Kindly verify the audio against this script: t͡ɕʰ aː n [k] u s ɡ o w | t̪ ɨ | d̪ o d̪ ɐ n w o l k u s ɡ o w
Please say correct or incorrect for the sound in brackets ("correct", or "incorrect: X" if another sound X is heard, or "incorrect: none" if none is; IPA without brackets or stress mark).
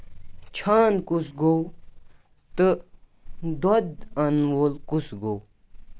correct